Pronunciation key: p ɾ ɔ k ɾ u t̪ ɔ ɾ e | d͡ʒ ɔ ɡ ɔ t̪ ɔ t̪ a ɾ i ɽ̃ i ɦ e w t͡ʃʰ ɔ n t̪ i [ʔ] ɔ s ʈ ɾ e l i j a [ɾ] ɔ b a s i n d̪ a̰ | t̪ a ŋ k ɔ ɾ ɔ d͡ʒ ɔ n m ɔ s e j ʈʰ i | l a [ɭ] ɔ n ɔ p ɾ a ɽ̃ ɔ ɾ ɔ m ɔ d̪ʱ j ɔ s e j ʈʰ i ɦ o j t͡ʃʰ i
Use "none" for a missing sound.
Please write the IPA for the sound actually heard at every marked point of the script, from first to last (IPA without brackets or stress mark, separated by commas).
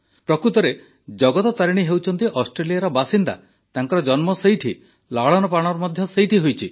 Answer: ʔ, ɾ, ɭ